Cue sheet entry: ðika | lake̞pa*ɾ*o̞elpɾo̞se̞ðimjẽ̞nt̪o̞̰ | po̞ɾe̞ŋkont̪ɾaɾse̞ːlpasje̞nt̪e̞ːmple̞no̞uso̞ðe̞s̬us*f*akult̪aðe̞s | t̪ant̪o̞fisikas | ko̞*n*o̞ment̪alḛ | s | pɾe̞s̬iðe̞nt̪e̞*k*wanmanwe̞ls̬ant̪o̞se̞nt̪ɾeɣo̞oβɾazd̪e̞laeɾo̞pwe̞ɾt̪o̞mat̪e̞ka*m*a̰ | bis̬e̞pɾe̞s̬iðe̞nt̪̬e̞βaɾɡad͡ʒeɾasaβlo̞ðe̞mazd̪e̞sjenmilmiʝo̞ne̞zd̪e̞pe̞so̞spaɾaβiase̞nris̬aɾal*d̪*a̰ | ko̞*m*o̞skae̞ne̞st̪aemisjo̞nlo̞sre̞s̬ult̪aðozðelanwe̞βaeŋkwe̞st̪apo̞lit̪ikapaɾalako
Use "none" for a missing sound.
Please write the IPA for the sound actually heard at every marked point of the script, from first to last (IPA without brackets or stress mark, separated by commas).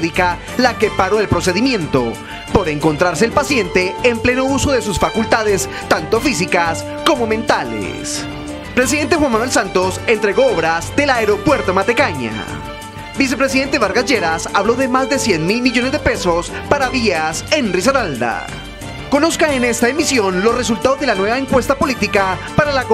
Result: ɾ, f, m, x, ɲ, d̪, n